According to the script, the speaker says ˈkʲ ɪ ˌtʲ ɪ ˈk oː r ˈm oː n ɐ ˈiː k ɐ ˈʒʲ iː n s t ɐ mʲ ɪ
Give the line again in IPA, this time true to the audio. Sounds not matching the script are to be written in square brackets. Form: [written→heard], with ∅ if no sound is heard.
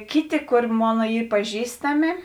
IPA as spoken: ˈkʲ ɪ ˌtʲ ɪ ˈk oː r ˈm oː n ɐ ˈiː [k→p] ɐ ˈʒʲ iː [n→∅] s t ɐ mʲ ɪ